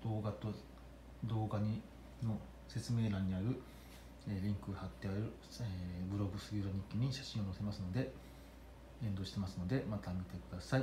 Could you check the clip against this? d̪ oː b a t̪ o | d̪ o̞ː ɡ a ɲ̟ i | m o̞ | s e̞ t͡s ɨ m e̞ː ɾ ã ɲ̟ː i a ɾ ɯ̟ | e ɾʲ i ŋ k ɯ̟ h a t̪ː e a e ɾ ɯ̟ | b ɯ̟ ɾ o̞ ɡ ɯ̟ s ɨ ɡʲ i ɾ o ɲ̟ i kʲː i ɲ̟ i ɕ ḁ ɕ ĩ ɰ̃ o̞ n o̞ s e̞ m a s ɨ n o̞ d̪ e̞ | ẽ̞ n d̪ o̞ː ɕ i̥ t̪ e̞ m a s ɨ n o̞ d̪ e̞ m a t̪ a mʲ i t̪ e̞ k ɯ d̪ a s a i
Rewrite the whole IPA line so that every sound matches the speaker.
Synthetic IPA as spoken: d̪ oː ɡ a t̪ o | d̪ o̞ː ɡ a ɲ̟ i | n o̞ | s e̞ t͡s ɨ m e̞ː ɾ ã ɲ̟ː i a ɾ ɯ̟ | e ɾʲ ĩ ŋ k ɯ̟ h a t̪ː e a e ɾ ɯ̟ | b ɯ̟ ɾ o̞ ɡ ɯ̟ s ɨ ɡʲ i ɾ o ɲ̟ i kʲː i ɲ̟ i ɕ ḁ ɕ ĩ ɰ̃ o̞ n o̞ s e̞ m a s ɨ n o̞ d̪ e̞ | ẽ̞ n d̪ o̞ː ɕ i̥ t̪ e̞ m a s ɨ n o̞ d̪ e̞ m a t̪ a mʲ i t̪ e̞ k ɯ d̪ a s a i

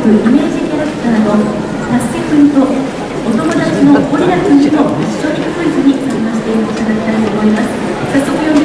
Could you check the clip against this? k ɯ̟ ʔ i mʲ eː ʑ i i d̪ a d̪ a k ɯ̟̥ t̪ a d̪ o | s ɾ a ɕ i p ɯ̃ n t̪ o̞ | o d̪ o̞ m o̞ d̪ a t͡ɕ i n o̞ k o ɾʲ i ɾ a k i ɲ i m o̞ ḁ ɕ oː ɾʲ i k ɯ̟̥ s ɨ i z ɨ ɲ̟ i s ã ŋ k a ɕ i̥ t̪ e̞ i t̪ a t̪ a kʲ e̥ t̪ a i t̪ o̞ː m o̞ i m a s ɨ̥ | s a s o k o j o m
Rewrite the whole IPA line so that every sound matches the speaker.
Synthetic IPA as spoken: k ɯ̟ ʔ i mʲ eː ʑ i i t̪ a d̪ a k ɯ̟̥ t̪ a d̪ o | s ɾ a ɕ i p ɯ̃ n t̪ o̞ | o t̪ o̞ m o̞ d̪ a t͡ɕ i n o̞ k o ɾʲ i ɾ a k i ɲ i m o̞ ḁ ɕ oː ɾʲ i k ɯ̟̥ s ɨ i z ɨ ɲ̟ i s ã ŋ k a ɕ i̥ t̪ e̞ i t̪ a d̪ a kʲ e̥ t̪ a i t̪ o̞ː m o̞ i m a s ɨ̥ | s a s o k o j o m

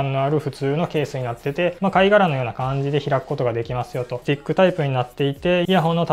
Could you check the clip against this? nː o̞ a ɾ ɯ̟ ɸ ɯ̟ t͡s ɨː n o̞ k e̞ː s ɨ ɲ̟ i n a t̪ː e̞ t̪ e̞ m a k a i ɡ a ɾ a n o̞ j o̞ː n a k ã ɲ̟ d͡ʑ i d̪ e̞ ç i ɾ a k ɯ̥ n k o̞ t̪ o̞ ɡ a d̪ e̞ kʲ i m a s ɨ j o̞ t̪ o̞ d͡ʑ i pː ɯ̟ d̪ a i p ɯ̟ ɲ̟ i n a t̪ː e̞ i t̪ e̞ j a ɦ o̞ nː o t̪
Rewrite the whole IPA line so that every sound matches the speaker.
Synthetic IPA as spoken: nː o̞ a ɾ ɯ̟ ɸ ɯ̟ t͡s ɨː n o̞ k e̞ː s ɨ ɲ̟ i n a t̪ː e̞ t̪ e̞ m a k a i ɡ a ɾ a n o̞ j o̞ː n a k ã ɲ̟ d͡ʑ i d̪ e̞ ç i ɾ a k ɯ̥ k o̞ t̪ o̞ ɡ a d̪ e̞ kʲ i m a s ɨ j o̞ t̪ o̞ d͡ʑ i kː ɯ̟ t̪ a i p ɯ̟ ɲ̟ i n a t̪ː e̞ i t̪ e̞ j a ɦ o̞ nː o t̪

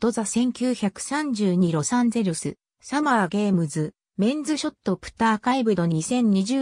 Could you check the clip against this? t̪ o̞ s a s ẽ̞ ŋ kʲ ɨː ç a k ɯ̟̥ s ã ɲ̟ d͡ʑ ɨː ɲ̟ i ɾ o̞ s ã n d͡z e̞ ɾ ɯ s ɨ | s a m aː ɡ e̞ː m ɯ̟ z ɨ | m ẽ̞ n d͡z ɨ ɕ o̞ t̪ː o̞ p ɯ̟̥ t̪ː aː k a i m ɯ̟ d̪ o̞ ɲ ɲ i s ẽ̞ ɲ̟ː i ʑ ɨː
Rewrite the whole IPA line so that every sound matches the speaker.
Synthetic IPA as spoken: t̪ o̞ z a s ẽ̞ ŋ kʲ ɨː ç a k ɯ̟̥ s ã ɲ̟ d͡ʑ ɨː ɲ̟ i ɾ o̞ s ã n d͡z e̞ ɾ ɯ s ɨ | s a m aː ɡ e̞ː m ɯ̟ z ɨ | m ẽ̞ n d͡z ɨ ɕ o̞ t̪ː o̞ p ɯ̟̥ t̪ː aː k a i b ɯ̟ d̪ o̞ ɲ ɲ i s ẽ̞ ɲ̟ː i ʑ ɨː

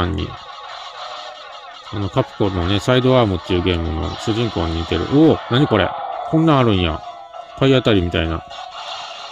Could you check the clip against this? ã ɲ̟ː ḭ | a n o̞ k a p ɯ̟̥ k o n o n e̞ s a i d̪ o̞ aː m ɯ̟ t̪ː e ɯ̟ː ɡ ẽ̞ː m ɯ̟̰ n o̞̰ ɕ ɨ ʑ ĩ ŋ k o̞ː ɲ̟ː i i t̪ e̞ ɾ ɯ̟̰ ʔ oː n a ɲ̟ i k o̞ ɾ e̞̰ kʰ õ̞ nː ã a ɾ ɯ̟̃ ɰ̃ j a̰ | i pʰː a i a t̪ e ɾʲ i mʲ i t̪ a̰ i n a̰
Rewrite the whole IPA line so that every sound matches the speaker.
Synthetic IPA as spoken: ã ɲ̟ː ḭ | a n o̞ k a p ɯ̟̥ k o n o n e̞ s a i d̪ o̞ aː m ɯ̟ t̪ː e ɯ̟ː ɡ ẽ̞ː m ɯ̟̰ n o̞̰ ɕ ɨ ʑ ĩ ŋ k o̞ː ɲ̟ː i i t̪ e̞ ɾ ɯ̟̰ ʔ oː n a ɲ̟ i k o̞ ɾ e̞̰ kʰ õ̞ nː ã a ɾ ɯ̟̃ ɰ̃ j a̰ | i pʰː a i a t̪ a ɾʲ i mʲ i t̪ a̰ i n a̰

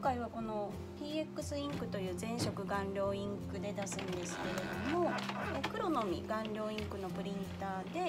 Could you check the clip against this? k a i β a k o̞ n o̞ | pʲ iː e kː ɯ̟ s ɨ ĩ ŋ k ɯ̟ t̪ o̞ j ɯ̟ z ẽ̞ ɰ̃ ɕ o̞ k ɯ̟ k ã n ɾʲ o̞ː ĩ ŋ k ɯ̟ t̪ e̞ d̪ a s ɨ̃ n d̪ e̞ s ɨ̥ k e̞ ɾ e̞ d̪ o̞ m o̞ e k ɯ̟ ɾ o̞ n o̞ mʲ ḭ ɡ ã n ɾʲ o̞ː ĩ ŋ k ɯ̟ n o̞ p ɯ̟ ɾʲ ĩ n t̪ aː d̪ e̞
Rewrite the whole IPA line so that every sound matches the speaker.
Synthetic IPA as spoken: k a i β a k o̞ n o̞ | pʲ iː e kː ɯ̟ s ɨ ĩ ŋ k ɯ̟ t̪ o̞ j ɯ̟ː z ẽ̞ ɰ̃ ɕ o̞ k ɯ̟ ɡ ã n ɾʲ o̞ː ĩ ŋ k ɯ̟ d̪ e̞ d̪ a s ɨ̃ n d̪ e̞ s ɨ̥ k e̞ ɾ e̞ d̪ o̞ m o̞ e k ɯ̟ ɾ o̞ n o̞ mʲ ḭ ɡ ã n ɾʲ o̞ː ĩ ŋ k ɯ̟ n o̞ p ɯ̟ ɾʲ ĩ n t̪ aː d̪ e̞

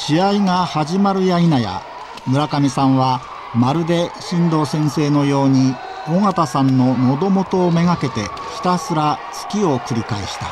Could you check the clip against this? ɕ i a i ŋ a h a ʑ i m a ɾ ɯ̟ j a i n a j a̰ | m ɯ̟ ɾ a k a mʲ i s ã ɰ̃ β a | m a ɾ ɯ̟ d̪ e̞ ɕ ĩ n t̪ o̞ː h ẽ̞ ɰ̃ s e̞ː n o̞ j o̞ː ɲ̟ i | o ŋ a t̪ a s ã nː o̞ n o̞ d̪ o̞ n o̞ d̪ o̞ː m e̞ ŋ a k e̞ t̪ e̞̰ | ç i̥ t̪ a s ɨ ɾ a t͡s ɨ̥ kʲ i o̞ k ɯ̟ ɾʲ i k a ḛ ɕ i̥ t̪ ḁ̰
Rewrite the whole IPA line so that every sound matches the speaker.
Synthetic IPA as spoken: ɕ i a i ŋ a h a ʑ i m a ɾ ɯ̟ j a i n a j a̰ | m ɯ̟ ɾ a k a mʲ i s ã ɰ̃ β a | m a ɾ ɯ̟ d̪ e̞ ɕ ĩ n d̪ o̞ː s ẽ̞ ɰ̃ s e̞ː n o̞ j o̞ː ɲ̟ i | o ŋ a t̪ a s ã nː o̞ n o̞ d̪ o̞ m o̞ t̪ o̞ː m e̞ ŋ a k e̞ t̪ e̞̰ | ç i̥ t̪ a s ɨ ɾ a t͡s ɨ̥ kʲ i o̞ k ɯ̟ ɾʲ i k a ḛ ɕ i̥ t̪ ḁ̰

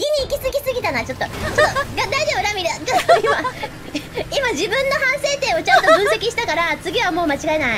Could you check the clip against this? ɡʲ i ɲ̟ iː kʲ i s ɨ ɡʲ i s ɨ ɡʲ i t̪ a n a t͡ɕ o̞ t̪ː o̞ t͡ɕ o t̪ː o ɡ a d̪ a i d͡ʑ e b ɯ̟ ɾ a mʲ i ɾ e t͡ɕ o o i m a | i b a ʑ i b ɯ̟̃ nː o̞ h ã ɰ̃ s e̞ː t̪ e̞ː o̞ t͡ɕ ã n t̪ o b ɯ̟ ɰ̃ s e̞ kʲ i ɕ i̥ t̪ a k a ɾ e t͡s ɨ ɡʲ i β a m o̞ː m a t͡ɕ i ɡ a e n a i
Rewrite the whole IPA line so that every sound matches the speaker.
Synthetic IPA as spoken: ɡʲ i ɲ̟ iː kʲ i s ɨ ɡʲ i s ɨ ɡʲ i t̪ a n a t͡ɕ o̞ t̪ː o̞ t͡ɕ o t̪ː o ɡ a d̪ a i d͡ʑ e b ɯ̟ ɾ a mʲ i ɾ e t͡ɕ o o i m a | i m a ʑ i b ɯ̟̃ nː o̞ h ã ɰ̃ s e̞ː t̪ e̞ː o̞ t͡ɕ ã n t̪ o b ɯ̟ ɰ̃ s e̞ kʲ i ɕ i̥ t̪ a k a ɾ a t͡s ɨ ɡʲ i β a m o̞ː m a t͡ɕ i ɡ a e n a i

